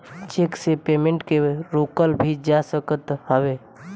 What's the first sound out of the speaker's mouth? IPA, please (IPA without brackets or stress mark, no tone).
t͡ʃ